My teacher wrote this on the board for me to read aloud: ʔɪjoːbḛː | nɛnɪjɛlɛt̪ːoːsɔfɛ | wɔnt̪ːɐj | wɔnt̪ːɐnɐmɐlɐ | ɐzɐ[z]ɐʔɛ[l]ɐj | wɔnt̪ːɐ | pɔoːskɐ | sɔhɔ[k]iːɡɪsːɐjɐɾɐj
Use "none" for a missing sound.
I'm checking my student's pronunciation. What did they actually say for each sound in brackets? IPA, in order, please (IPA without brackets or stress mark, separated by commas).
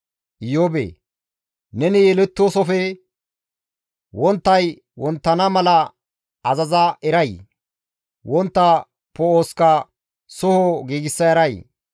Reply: z, ɾ, ɡ